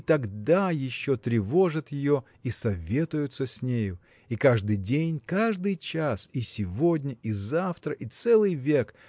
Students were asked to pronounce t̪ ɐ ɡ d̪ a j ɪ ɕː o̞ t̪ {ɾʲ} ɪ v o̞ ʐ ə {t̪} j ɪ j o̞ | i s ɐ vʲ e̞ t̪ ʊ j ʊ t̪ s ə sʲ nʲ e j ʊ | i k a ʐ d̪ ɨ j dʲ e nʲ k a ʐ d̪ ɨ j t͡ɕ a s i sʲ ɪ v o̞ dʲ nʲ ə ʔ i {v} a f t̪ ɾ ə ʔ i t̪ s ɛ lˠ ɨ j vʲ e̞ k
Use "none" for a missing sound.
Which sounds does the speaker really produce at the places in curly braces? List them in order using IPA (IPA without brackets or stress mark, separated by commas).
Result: ɾʲ, t̪, z